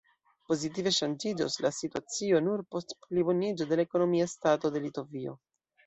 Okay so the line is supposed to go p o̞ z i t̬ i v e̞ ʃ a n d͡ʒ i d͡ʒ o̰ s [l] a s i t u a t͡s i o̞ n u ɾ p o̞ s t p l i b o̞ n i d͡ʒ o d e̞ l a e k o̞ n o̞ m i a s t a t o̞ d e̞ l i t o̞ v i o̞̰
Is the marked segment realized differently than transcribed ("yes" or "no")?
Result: no